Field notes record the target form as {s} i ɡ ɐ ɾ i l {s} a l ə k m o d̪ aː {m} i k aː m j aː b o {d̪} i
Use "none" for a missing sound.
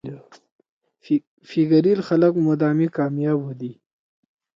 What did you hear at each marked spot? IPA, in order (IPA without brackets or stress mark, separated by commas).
f, x, m, d̪